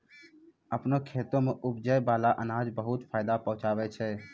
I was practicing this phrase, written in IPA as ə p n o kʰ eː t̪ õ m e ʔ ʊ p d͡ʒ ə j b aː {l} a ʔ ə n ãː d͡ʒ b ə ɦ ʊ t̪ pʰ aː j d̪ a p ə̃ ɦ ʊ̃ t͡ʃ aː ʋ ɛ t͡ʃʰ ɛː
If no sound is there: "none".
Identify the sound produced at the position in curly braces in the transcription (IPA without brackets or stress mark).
l